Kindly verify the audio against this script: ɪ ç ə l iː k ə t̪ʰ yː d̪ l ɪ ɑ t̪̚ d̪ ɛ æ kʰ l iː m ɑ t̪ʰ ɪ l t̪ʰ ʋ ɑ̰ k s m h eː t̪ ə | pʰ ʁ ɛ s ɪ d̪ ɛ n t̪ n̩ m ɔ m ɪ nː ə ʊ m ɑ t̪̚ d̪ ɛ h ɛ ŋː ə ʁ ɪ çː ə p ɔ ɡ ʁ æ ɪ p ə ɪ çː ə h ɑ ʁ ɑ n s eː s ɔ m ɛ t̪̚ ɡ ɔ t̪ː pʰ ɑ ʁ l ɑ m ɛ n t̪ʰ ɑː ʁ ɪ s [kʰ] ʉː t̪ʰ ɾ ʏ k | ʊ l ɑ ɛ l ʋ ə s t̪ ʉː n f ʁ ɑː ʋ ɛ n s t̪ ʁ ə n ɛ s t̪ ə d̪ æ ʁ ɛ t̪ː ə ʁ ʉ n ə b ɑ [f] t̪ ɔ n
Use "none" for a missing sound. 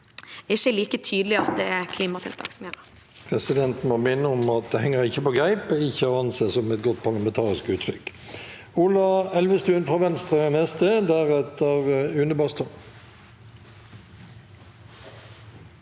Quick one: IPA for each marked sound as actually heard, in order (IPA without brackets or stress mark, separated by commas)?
k, s